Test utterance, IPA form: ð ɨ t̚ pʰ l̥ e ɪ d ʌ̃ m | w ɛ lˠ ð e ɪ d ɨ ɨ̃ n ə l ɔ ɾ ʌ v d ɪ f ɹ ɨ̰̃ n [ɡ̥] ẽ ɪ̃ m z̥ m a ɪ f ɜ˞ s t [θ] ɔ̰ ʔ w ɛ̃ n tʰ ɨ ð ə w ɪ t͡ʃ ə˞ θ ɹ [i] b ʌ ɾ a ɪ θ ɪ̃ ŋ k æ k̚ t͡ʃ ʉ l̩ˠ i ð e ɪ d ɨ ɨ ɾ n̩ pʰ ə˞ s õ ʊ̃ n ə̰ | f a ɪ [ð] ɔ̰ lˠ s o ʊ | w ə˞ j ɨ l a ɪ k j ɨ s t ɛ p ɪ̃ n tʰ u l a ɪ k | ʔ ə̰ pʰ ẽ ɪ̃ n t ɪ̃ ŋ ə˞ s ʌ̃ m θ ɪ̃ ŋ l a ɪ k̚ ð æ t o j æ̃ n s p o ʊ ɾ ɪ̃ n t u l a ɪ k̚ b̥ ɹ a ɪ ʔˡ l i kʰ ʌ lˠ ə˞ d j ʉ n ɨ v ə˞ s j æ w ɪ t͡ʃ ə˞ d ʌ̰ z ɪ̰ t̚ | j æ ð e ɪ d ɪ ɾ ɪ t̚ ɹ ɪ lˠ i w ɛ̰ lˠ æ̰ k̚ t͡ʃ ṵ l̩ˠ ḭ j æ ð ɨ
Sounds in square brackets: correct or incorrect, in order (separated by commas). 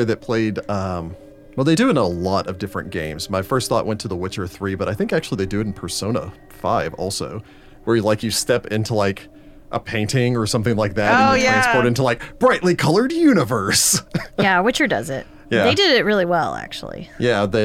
correct, correct, correct, incorrect